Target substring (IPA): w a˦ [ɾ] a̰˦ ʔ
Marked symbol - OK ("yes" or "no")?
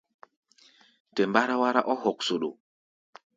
yes